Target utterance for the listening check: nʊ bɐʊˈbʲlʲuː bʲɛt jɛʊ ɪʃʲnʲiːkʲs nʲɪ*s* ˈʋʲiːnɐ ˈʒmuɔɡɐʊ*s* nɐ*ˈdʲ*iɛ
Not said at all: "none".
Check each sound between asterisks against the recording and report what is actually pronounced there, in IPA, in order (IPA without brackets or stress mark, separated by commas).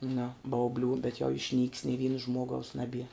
none, s, bʲ